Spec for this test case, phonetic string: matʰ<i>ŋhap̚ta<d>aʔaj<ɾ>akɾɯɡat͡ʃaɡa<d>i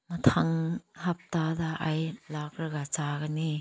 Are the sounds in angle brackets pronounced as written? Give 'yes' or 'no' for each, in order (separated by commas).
no, yes, no, no